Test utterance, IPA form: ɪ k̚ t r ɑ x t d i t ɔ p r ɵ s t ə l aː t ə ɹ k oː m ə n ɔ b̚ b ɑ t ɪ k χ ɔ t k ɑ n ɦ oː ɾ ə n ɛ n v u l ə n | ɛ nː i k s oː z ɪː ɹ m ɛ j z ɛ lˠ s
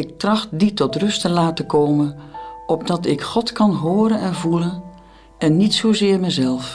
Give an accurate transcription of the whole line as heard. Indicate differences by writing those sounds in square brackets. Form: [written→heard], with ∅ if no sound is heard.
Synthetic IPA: ɪ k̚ t r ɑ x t d i t ɔ [p→t] r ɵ s t ə l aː t ə [ɹ→∅] k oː m ə n ɔ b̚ [b→d] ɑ t ɪ k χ ɔ t k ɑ n ɦ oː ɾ ə n ɛ n v u l ə n | ɛ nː i [k→t] s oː z ɪː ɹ m ɛ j z ɛ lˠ [s→f]